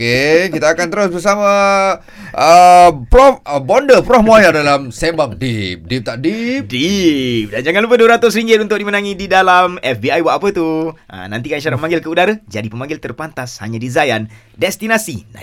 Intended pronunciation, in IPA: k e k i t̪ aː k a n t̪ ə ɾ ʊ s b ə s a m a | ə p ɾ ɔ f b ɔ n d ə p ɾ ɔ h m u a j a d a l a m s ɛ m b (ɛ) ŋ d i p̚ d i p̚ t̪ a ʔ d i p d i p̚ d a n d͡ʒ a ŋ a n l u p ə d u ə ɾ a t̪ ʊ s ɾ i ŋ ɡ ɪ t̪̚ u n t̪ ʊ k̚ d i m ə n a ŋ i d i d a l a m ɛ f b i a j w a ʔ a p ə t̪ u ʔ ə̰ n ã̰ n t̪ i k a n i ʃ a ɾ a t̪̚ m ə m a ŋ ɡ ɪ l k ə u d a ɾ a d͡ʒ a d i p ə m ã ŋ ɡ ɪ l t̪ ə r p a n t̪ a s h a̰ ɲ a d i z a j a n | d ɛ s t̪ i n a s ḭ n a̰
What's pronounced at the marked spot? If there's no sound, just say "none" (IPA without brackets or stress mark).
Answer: a